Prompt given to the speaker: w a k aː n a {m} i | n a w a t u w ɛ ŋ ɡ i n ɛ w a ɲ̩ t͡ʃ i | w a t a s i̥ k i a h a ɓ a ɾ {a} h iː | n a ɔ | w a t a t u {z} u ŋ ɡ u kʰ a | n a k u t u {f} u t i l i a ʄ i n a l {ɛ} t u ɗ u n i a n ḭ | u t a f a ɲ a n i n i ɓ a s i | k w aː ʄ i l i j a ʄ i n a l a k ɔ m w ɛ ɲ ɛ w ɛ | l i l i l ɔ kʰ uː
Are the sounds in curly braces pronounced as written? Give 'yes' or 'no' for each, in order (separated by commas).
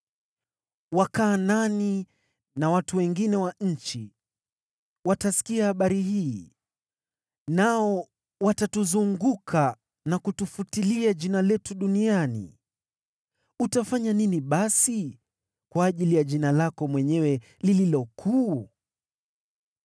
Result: no, no, yes, yes, yes